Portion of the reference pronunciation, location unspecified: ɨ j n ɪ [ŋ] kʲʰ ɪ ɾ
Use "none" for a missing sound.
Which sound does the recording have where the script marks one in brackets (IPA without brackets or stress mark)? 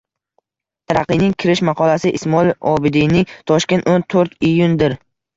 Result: ŋ